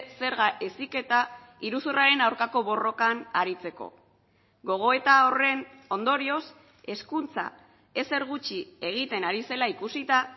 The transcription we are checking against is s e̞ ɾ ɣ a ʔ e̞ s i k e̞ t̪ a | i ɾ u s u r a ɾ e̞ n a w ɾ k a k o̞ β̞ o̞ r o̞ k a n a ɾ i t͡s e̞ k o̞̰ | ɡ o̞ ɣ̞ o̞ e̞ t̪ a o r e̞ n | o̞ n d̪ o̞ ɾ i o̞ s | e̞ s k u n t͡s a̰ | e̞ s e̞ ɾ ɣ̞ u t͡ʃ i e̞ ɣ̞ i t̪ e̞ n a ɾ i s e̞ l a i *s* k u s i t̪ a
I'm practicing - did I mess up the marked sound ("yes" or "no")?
yes